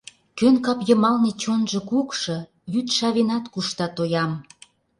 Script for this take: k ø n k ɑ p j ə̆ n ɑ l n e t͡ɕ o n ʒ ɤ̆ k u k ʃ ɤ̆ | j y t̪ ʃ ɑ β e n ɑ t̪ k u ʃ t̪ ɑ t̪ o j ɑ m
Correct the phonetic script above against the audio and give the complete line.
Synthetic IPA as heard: k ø n k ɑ p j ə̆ m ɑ l n e t͡ɕ o n ʒ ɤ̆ k u k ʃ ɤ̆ | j y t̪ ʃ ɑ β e n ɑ t̪ k u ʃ t̪ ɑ t̪ o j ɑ m